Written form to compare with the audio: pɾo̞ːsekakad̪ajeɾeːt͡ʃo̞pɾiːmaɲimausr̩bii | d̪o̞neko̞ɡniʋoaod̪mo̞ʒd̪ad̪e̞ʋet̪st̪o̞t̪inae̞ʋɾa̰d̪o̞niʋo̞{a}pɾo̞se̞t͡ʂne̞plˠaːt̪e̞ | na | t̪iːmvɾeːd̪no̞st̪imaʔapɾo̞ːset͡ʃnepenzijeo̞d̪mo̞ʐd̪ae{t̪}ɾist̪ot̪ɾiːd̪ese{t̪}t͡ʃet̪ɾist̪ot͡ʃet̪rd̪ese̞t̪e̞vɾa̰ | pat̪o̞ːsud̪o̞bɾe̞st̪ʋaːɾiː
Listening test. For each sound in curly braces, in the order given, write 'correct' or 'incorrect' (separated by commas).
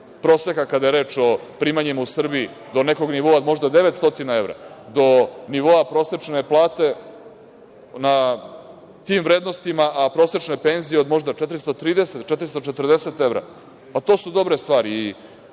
correct, correct, correct